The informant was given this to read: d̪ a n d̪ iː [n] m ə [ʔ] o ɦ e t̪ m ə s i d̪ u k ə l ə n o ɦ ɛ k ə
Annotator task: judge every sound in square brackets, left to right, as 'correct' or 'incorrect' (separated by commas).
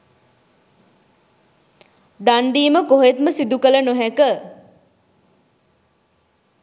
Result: incorrect, incorrect